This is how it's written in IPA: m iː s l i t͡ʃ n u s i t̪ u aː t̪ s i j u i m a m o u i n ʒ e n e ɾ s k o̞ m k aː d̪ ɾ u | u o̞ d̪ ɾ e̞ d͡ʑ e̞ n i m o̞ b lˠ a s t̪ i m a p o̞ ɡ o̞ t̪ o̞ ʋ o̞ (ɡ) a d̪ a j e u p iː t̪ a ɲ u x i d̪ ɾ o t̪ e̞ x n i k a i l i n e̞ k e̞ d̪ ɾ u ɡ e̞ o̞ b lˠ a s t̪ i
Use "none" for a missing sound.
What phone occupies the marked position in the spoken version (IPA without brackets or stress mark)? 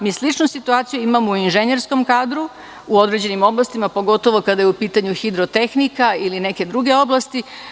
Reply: k